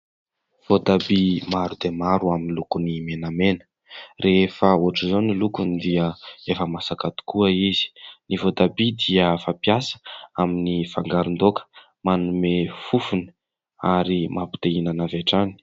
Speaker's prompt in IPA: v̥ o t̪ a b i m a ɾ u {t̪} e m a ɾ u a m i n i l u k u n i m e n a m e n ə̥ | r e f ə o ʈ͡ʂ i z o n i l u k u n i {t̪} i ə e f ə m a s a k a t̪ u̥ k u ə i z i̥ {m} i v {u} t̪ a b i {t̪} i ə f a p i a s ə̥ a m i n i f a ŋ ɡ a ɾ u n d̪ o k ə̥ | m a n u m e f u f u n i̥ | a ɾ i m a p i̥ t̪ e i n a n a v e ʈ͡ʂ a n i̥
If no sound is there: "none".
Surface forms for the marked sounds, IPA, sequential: d̪, d̪, n, o, d̪

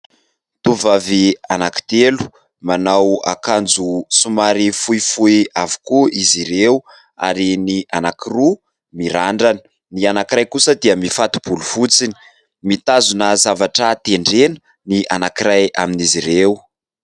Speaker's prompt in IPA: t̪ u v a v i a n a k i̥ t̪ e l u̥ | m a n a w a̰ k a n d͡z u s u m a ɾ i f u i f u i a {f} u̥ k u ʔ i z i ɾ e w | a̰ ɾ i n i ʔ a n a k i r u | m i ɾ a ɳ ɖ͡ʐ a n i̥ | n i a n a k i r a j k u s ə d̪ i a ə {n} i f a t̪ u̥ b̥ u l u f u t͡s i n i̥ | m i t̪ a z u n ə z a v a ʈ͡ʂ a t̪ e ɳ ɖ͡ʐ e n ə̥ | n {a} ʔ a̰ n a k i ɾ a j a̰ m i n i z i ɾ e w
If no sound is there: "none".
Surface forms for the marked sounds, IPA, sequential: v, m, i

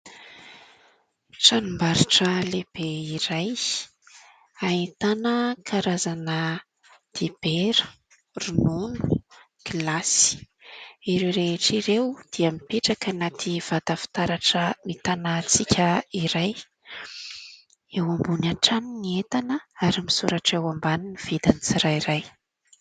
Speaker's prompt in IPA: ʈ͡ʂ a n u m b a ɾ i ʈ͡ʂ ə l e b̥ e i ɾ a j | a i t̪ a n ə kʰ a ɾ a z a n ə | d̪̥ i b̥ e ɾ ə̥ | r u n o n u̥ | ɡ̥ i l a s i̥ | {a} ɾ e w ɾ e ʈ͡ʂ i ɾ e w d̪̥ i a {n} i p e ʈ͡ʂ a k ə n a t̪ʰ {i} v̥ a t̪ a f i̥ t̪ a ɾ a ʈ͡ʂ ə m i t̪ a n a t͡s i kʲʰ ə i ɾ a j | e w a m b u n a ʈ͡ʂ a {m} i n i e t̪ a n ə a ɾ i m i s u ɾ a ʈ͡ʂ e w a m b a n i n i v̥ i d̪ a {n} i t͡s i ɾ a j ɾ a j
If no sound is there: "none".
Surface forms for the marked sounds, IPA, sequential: i, m, i, n, n

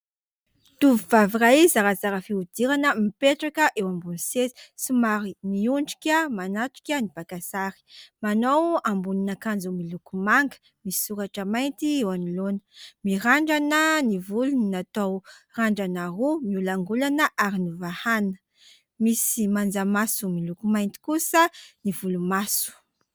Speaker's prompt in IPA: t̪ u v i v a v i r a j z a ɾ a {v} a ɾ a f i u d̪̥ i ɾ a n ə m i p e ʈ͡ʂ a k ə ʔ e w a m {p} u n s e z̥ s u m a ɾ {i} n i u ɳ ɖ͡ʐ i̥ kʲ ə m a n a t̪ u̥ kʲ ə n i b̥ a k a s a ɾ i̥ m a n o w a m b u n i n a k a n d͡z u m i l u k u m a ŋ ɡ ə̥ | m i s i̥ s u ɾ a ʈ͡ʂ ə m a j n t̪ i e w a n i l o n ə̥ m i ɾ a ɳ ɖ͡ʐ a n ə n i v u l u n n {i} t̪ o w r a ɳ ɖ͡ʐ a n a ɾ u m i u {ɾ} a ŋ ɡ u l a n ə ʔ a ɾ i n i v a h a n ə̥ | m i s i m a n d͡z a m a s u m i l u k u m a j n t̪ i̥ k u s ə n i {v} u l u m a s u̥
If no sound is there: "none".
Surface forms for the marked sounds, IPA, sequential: z, b, i, a, l, v

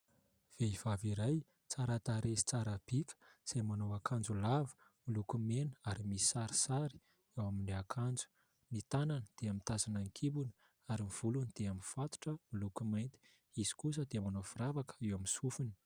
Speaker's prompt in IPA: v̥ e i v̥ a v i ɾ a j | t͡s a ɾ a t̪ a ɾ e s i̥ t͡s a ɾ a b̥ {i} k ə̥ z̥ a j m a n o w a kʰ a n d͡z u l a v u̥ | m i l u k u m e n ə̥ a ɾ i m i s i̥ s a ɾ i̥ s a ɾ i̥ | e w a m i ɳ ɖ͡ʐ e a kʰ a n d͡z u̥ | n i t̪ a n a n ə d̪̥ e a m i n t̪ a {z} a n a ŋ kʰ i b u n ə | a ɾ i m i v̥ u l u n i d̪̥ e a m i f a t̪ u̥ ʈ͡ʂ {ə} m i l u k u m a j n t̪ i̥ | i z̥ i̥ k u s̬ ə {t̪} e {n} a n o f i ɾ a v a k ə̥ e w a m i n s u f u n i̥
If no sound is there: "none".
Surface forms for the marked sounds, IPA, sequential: i, z, ə, d̪, m

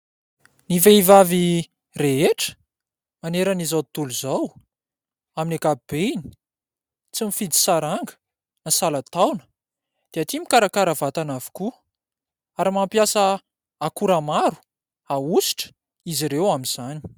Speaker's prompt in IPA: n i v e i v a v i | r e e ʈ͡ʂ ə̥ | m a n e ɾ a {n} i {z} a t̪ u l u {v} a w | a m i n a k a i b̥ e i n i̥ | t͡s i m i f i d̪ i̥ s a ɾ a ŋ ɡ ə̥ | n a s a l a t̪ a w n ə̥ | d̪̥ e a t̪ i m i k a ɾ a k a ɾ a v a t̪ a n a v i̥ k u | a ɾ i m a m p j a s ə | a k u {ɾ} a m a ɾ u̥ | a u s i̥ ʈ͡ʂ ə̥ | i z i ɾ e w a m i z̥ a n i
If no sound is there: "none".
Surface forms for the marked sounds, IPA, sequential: n, z, z, ɾ

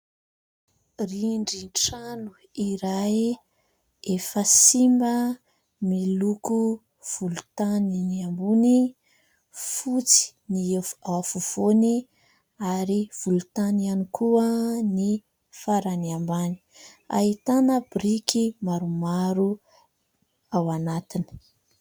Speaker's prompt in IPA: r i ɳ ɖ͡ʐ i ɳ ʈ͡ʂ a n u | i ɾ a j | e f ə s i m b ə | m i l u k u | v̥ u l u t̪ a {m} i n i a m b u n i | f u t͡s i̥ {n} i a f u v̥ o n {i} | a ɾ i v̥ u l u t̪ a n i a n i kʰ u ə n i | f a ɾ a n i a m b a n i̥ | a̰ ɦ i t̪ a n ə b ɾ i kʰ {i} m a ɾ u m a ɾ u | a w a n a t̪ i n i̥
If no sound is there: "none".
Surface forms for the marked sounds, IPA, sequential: n, n, i, i

